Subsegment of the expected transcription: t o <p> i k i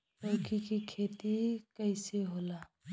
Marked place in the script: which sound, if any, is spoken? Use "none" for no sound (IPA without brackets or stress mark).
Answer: k